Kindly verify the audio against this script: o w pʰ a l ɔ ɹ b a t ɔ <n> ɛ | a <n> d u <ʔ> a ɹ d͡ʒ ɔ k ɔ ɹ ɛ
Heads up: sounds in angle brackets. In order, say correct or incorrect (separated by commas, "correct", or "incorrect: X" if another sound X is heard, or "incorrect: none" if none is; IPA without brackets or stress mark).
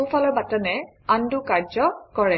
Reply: correct, correct, incorrect: k